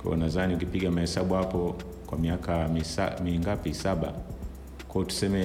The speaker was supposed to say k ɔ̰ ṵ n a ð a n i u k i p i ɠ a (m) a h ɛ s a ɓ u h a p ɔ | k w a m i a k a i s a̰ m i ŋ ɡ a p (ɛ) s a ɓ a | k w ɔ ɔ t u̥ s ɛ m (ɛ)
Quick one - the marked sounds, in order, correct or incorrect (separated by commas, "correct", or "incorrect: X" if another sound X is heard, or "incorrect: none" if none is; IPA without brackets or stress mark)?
correct, incorrect: i, correct